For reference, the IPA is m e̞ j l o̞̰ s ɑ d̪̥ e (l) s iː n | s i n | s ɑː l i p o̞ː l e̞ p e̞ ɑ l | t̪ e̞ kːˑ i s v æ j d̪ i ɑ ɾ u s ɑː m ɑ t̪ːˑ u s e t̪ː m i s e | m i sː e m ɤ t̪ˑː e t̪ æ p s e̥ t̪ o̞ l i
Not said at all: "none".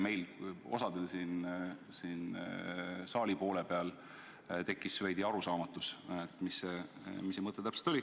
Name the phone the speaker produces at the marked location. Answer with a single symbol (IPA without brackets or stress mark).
l